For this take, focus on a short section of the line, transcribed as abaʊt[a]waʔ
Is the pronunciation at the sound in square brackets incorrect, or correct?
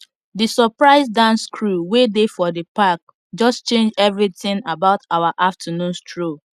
correct